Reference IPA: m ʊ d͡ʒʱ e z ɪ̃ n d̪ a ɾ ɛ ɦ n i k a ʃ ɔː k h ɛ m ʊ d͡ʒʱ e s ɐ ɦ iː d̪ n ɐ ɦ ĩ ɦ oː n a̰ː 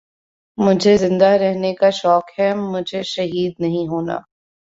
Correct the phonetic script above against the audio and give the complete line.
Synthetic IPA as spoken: m ʊ d͡ʒʱ e z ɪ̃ n d̪ a ɾ ɛ ɦ n e k a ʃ ɔː k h ɛ m ʊ d͡ʒʱ e ʃ ɐ ɦ iː d̪ n ɐ ɦ ĩ ɦ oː n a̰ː